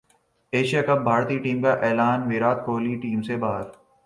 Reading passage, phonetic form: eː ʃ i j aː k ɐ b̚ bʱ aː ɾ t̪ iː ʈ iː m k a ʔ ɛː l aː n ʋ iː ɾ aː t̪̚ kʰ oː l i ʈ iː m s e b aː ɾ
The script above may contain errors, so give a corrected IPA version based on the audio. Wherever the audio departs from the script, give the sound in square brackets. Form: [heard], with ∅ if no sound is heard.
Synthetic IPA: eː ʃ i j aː k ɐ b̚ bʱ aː ɾ t̪ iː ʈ iː m k a ʔ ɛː l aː n ʋ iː ɾ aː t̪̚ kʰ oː l i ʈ iː m s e b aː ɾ